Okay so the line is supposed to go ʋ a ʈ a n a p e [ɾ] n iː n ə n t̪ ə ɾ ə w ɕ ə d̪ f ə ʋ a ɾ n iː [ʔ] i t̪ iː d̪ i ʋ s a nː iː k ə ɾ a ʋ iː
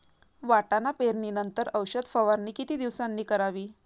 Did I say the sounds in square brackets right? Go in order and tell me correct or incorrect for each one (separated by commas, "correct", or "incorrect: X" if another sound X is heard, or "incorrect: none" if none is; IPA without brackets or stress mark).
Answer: correct, incorrect: k